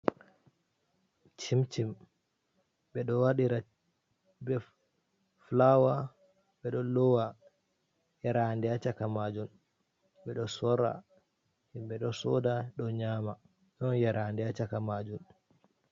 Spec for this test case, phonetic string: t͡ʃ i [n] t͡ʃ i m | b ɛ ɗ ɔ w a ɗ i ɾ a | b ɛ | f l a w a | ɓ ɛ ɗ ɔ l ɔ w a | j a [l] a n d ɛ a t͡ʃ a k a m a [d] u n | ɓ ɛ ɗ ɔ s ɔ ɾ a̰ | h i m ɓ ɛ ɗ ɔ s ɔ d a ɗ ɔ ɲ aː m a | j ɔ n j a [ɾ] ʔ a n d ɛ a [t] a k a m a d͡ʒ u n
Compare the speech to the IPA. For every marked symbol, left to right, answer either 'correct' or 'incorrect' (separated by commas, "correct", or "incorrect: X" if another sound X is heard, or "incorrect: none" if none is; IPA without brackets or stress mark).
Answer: incorrect: m, incorrect: ɾ, incorrect: d͡ʒ, correct, incorrect: t͡ʃ